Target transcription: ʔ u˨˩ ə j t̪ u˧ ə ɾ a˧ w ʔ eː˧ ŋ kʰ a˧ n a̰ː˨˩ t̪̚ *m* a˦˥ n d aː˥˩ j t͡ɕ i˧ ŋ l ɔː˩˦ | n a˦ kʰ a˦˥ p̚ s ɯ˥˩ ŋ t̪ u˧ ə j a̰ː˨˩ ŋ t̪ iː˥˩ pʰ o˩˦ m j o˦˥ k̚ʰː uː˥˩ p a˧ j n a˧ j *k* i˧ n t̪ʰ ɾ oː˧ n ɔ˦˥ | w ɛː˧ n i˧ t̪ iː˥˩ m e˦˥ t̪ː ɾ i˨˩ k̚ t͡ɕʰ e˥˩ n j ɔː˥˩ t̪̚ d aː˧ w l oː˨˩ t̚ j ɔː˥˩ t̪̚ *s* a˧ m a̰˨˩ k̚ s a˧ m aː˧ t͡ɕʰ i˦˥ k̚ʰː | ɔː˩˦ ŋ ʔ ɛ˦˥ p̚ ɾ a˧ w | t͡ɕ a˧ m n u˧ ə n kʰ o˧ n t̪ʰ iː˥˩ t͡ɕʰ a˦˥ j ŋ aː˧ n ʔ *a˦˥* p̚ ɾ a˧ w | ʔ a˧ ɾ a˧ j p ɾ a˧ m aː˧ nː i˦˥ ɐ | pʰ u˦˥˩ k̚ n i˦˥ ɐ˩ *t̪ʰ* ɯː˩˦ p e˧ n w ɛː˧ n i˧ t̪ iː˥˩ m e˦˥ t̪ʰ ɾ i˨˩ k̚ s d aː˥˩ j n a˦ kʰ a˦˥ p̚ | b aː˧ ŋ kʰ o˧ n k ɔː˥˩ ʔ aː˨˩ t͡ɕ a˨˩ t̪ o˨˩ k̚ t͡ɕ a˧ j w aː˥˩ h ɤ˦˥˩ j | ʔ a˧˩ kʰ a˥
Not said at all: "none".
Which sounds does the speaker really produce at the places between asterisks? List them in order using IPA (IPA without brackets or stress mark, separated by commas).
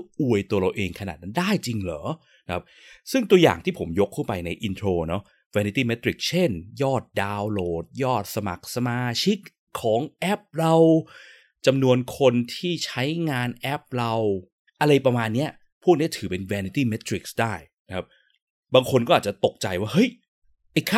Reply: n, ʔ, s, ɛ˦˥, t̪ʰ